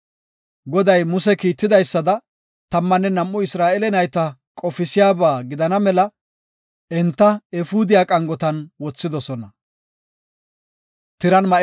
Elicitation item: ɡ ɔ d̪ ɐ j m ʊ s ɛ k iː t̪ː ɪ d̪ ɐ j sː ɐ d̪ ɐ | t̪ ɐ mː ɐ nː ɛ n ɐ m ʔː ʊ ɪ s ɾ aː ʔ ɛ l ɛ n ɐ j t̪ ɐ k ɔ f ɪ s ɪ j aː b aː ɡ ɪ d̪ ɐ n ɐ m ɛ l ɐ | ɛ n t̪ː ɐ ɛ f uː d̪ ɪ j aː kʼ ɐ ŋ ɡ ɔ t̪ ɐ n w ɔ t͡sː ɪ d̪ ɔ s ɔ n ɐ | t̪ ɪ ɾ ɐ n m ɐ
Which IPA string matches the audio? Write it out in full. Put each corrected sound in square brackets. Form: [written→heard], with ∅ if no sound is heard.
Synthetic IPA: ɡ ɔ d̪ ɐ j m ʊ s ɛ k iː t̪ː ɪ d̪ ɐ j sː ɐ d̪ ɐ | t̪ ɐ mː ɐ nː ɛ n ɐ m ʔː ʊ ɪ s ɾ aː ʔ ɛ l ɛ n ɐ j t̪ ɐ [k→kʼ] ɔ f ɪ s ɪ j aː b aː ɡ ɪ d̪ ɐ n ɐ m ɛ l ɐ | ɛ n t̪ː ɐ ɛ f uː d̪ ɪ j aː kʼ ɐ ŋ ɡ ɔ t̪ ɐ n w ɔ t͡sː ɪ d̪ ɔ s ɔ n ɐ | t̪ ɪ ɾ ɐ n m ɐ